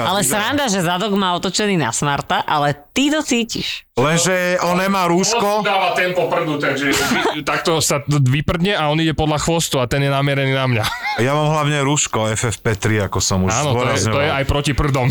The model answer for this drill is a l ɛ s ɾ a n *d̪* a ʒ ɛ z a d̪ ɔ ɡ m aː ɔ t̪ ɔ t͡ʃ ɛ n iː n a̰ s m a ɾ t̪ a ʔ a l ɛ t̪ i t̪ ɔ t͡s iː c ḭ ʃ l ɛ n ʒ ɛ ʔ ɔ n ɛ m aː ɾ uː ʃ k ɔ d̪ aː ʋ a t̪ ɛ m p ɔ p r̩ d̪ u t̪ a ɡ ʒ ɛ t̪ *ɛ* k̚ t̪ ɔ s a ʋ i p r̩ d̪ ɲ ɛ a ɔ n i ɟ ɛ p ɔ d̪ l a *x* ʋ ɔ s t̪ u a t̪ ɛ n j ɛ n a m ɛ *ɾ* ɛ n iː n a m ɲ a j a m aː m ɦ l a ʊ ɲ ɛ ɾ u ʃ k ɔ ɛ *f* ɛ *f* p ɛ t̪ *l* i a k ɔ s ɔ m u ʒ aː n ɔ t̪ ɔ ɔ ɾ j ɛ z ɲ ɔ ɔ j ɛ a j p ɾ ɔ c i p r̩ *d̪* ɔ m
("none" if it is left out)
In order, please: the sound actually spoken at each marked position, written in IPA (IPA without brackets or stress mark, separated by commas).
d̪, a, x, ɾ, f, f, ɾ, d̪